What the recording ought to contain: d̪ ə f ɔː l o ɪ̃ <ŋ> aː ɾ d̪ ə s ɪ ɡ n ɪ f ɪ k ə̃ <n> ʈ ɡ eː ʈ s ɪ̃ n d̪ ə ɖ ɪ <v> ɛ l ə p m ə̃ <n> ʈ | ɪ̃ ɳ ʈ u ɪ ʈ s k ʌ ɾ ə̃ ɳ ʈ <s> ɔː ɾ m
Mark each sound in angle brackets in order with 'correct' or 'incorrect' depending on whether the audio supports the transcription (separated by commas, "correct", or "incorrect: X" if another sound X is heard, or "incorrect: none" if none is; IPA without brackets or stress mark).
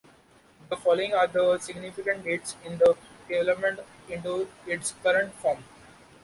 correct, incorrect: ɳ, incorrect: ʋ, incorrect: ɳ, incorrect: f